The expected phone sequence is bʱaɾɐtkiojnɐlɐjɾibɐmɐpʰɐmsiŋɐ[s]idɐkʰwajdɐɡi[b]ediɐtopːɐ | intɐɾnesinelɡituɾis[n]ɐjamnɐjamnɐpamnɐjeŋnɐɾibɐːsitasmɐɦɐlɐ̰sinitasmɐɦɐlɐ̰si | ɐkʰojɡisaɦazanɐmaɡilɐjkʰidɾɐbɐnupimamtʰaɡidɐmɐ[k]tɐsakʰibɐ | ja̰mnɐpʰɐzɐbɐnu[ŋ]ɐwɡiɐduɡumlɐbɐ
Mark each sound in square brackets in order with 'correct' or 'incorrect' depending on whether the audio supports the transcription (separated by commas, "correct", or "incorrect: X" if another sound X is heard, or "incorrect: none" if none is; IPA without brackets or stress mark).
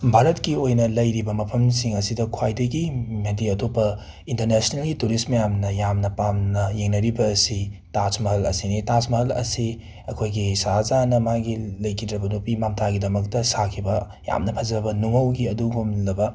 correct, incorrect: m, incorrect: m, correct, correct